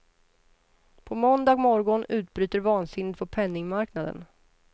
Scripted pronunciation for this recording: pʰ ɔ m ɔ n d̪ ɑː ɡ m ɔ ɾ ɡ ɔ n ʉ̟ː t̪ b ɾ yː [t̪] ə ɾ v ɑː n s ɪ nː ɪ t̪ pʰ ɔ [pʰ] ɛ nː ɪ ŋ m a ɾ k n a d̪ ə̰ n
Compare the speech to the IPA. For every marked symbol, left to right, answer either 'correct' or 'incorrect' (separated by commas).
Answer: correct, correct